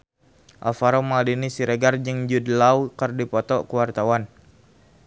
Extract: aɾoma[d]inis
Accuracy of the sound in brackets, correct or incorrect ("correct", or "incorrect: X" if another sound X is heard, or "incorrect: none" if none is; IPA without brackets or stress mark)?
correct